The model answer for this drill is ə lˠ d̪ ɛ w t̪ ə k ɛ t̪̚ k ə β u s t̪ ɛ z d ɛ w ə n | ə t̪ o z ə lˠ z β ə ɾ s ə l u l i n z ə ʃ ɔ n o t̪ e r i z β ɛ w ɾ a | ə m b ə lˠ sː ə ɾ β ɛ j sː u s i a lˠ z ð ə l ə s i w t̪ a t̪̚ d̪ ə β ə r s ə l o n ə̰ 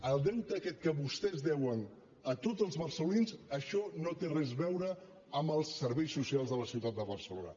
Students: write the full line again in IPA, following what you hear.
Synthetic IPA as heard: ə lˠ d̪ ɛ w t̪ ə k ɛ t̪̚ k ə β u s t̪ ɛ z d ɛ w ə n | ə t̪ o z ə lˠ z β ə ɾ s ə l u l i n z ə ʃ ɔ n o t̪ e r ɛ z β ɛ w ɾ ə | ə m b ə lˠ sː ə ɾ β ɛ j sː u s i a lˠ z ð ə l ə s i w t̪ a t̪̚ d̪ ə β ə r s ə l o n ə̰